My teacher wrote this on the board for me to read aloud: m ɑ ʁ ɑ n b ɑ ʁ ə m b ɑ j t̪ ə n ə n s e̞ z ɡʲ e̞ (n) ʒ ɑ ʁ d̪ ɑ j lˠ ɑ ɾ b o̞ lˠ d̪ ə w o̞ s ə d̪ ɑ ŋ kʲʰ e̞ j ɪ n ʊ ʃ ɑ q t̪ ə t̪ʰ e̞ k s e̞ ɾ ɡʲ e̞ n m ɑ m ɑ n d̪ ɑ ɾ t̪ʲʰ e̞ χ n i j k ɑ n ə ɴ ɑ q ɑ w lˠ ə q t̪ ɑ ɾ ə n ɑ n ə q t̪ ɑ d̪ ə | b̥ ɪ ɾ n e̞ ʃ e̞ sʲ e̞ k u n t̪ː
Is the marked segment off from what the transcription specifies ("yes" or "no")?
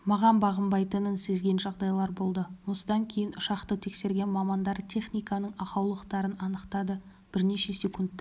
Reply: no